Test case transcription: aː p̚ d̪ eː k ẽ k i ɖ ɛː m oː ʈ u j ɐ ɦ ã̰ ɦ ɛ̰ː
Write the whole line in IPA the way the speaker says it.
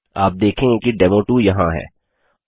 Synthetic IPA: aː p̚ d̪ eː kʰ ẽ k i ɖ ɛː m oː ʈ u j ɐ ɦ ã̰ ɦ ɛ̰ː